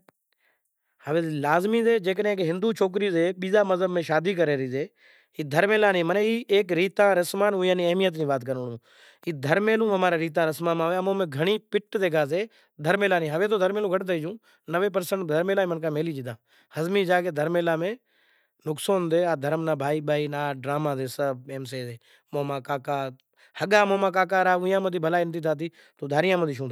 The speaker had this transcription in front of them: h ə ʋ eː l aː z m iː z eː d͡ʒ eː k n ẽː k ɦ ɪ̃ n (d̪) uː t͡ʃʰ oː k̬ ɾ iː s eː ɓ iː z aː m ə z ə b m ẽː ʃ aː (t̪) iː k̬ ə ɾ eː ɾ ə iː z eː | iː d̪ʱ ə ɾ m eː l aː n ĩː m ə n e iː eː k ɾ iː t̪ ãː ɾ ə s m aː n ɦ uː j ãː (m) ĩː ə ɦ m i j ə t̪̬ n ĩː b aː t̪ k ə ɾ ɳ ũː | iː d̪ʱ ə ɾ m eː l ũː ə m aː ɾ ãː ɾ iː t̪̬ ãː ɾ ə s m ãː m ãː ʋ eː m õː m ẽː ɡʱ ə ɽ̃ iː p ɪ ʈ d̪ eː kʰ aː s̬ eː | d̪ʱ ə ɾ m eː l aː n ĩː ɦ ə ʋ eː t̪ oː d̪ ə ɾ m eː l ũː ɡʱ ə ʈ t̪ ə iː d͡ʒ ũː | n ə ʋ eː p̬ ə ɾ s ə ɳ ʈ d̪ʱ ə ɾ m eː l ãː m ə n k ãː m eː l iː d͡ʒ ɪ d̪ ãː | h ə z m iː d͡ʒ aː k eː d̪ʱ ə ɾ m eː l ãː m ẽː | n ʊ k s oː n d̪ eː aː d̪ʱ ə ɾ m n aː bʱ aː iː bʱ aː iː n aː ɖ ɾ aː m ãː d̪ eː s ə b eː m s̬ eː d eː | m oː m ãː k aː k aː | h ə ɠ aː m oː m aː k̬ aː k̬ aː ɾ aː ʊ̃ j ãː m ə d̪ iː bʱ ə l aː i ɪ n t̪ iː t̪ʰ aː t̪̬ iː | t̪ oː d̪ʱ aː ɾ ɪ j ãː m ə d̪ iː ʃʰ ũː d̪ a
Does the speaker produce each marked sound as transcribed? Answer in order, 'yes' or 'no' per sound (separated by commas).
yes, no, no